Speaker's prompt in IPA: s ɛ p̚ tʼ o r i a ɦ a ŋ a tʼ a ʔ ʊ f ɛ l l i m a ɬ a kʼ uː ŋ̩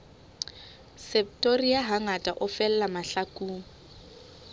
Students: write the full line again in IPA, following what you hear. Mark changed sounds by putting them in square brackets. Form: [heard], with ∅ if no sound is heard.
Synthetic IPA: s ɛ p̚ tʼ o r i a ɦ a ŋ a tʼ a ʔ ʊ f ɛ l l [a] m a ɬ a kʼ uː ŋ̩